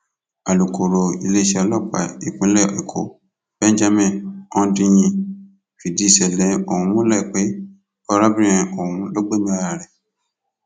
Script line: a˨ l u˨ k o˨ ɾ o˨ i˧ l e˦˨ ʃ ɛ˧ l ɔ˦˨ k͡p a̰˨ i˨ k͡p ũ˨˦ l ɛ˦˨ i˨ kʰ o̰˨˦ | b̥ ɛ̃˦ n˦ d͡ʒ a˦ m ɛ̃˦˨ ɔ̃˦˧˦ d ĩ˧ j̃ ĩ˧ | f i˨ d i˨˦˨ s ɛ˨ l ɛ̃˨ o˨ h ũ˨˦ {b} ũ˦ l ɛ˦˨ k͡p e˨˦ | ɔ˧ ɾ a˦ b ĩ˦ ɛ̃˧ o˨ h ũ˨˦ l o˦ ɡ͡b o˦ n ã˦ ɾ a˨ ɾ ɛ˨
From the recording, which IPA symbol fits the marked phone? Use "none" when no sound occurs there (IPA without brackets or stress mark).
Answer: m